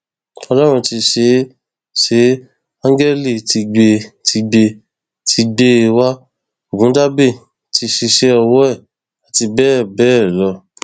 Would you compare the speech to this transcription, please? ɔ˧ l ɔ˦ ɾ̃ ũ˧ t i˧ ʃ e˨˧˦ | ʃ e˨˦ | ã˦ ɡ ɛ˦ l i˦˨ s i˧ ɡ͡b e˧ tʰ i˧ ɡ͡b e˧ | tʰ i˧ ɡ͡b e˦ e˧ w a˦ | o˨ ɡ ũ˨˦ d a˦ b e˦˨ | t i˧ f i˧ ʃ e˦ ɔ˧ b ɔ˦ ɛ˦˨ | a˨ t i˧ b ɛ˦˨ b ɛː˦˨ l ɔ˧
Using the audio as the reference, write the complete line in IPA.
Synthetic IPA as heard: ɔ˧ l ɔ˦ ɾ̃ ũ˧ t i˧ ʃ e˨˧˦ | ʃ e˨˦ | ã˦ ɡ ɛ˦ l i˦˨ t i˧ ɡ͡b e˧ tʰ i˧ ɡ͡b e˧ | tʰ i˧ ɡ͡b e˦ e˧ w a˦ | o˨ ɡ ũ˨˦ d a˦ b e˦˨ | t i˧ ʃ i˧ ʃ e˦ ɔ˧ w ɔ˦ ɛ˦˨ | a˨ t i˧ b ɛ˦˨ b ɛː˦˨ l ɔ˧